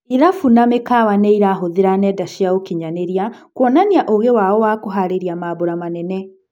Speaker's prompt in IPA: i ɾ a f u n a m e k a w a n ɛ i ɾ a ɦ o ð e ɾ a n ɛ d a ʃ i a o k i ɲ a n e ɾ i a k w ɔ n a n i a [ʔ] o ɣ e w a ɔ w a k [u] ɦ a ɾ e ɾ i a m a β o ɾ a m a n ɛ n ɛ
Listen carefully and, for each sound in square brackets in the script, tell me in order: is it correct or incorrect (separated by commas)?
correct, incorrect